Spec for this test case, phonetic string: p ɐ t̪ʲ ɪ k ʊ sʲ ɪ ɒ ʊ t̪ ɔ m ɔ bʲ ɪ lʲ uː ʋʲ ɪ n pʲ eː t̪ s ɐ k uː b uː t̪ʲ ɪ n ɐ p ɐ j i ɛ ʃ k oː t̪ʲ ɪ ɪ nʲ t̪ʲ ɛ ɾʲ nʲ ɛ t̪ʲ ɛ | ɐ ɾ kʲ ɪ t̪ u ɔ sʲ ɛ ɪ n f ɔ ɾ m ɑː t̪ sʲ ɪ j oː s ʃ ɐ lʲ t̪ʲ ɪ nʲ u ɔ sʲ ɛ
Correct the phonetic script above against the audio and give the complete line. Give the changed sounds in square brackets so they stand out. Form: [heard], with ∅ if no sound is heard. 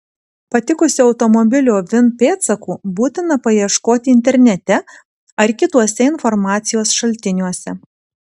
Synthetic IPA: p ɐ t̪ʲ ɪ k ʊ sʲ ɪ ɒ ʊ t̪ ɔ m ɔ bʲ ɪ lʲ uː ʋʲ ɪ n pʲ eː t̪ s ɐ k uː b uː t̪ʲ ɪ n ɐ p ɐ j i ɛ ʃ k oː t̪ʲ ɪ ɪ nʲ t̪ʲ ɛ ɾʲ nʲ ɛ t̪ʲ ɛ | ɐ ɾ kʲ ɪ t̪ u ɔ sʲ ɛ ɪ n f ɔ ɾ m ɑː t̪ sʲ ɪ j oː s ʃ ɐ lʲ t̪ʲ ɪ nʲ u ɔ sʲ ɛ